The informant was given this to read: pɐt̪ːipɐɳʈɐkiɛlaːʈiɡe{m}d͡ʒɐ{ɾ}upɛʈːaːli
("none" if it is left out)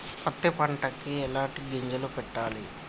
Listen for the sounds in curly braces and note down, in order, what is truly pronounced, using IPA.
ɲ, l

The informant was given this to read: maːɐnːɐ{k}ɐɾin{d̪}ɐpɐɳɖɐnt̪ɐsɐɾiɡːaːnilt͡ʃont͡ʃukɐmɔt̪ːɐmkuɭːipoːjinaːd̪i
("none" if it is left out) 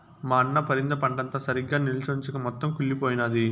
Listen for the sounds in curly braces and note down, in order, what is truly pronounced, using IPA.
p, d̪

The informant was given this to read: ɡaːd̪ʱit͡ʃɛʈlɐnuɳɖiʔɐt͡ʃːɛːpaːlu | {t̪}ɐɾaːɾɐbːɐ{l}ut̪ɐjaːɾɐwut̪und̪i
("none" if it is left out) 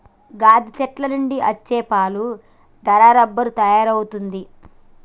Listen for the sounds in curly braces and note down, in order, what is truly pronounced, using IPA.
d̪, ɾ

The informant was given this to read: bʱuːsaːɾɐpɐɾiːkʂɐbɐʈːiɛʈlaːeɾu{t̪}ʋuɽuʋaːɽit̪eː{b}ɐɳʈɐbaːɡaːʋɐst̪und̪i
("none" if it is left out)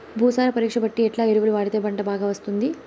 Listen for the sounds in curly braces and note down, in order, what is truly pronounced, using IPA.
none, b

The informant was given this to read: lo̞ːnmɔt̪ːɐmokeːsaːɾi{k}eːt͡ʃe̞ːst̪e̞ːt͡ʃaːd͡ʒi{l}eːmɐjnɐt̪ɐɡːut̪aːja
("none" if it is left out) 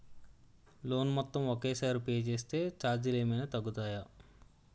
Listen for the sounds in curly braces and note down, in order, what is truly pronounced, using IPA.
p, l

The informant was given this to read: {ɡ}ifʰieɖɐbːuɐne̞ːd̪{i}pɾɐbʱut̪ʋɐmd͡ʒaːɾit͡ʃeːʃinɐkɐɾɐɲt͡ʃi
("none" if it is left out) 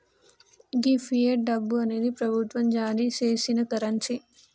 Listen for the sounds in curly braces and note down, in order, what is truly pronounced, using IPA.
ɡ, i

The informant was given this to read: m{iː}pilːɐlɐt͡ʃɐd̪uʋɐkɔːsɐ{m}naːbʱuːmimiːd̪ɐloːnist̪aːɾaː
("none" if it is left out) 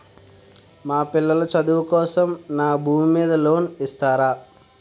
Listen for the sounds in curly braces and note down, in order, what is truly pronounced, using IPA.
aː, m

